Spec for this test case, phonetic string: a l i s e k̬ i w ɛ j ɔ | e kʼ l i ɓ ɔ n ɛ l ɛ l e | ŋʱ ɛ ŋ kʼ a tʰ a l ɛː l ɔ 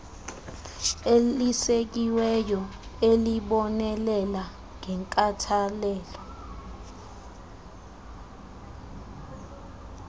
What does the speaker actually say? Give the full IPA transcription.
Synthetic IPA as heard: e l i s e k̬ i w ɛ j ɔ | e l i ɓ ɔ n ɛ l ɛ l a | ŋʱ ɛ ŋ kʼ a tʰ a l ɛː l ɔ